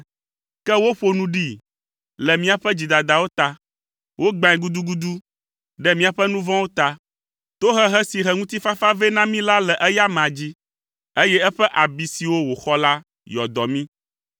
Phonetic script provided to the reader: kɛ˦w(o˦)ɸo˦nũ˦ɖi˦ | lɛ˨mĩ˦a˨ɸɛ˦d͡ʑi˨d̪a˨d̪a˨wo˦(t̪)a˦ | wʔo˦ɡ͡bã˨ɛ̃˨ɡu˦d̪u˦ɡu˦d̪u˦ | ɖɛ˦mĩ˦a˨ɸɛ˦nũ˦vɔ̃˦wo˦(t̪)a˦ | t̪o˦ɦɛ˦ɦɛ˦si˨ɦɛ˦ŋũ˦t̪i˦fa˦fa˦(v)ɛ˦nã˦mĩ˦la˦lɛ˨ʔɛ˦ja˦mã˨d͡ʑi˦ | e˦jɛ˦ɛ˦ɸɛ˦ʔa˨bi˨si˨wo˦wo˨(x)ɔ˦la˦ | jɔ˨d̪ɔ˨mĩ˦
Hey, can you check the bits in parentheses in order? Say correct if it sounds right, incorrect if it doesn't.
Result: correct, correct, correct, correct, correct

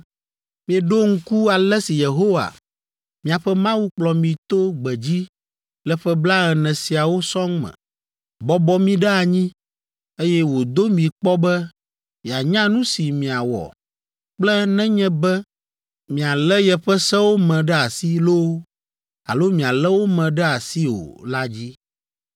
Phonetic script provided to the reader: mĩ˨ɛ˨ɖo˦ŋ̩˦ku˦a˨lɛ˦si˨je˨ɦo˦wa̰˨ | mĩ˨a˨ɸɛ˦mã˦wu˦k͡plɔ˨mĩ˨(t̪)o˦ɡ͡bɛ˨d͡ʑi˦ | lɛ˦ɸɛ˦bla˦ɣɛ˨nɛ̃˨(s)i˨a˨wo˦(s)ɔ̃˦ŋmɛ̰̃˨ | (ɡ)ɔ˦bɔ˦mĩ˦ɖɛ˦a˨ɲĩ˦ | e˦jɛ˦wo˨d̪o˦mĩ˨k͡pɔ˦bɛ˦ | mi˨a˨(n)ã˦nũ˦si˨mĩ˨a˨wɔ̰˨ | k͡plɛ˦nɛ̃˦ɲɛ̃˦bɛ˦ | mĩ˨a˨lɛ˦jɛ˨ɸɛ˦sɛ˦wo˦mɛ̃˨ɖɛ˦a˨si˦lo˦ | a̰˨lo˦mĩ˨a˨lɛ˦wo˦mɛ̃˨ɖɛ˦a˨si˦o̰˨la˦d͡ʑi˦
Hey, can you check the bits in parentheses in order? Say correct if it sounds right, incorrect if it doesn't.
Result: correct, correct, correct, incorrect: b, incorrect: ɲ

